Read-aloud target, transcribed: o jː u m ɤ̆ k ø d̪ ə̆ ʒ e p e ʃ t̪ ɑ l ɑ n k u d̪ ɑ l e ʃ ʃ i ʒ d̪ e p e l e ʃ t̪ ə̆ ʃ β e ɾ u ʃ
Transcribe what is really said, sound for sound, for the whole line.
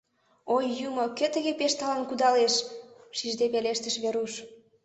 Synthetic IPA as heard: o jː u m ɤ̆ k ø t̪ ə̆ ɣ e p e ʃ t̪ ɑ l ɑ n k u d̪ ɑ l e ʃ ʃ i ʒ d̪ e p e l e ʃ t̪ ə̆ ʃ β e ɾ u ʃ